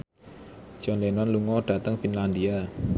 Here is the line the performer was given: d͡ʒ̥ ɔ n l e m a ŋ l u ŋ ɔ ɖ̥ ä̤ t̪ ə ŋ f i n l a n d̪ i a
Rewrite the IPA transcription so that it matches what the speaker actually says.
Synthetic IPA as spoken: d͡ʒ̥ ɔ n l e n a n l u ŋ ɔ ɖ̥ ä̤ t̪ ə ŋ f i n l a n d̪ i a